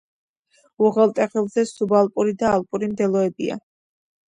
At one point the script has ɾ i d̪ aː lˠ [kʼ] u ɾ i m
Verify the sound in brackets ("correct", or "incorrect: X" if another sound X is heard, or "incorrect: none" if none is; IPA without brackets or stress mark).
incorrect: pʼ